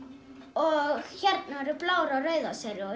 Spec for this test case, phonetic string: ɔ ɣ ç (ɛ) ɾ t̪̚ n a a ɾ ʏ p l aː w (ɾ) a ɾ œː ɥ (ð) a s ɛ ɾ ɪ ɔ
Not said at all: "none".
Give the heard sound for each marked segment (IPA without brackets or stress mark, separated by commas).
ɛ, ɾ, ð